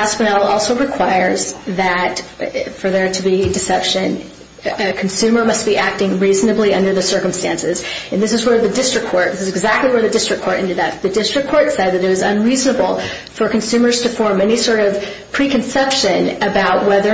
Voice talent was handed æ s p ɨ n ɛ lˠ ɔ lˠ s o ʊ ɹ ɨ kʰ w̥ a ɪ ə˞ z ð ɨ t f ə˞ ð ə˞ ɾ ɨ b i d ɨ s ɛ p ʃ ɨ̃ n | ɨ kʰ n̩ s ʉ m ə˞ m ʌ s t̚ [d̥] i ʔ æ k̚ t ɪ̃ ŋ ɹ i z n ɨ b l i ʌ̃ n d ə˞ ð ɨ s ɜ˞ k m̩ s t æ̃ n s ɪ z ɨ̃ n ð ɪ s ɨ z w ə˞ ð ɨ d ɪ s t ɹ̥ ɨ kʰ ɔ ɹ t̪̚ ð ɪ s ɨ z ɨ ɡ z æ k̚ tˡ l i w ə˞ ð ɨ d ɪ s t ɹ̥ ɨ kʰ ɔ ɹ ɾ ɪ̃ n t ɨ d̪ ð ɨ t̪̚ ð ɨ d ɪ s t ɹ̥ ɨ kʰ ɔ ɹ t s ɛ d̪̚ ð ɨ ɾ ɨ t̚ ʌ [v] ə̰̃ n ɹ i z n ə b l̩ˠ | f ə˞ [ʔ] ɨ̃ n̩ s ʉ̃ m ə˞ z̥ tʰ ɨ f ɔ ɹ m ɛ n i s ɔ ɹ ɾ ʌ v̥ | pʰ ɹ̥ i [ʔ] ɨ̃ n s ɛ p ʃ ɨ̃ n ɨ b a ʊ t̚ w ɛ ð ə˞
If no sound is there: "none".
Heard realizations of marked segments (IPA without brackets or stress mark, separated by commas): b̥, z, k, k